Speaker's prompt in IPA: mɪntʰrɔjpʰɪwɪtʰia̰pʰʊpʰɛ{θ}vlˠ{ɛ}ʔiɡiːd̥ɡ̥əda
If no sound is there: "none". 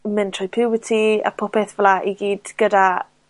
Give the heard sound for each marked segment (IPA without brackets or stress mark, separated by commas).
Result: θ, a